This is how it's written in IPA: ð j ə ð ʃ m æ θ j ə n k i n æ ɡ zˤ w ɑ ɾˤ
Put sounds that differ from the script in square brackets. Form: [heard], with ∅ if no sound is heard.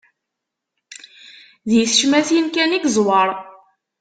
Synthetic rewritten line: ð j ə [θ] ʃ m æ θ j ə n k [æ] n [i] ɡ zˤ w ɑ ɾˤ